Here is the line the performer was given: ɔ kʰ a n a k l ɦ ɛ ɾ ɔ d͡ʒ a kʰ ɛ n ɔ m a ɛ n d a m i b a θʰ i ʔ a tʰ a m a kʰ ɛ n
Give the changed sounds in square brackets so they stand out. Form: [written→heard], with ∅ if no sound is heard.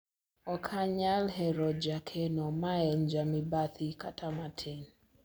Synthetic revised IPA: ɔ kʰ a [n→ɲ] a [k→∅] l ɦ ɛ ɾ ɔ d͡ʒ a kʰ ɛ n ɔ m a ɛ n [d→d͡ʒ] a m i b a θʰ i [ʔ→k] a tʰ a m a [kʰ→tʰ] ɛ n